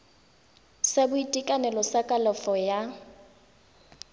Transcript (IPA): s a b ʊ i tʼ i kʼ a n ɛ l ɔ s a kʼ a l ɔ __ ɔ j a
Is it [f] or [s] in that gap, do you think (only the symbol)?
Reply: f